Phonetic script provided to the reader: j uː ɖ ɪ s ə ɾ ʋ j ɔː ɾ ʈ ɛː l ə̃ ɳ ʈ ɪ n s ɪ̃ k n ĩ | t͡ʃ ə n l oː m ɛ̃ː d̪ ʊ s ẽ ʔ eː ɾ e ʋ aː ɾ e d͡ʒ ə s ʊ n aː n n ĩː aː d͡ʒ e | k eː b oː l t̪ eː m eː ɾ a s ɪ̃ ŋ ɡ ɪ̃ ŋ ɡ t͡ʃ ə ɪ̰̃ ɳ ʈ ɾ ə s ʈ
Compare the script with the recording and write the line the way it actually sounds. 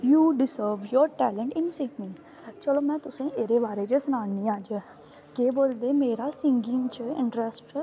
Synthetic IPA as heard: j uː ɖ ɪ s ə ɾ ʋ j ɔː ɾ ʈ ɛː l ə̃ ɳ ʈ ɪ n s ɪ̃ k n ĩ | t͡ʃ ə l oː m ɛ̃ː t̪ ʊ s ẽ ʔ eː ɾ e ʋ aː ɾ e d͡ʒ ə s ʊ n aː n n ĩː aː d͡ʒ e | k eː b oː l d̪ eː m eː ɾ a s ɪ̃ ŋ ɡ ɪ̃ ŋ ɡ t͡ʃ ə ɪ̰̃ ɳ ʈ ɾ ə s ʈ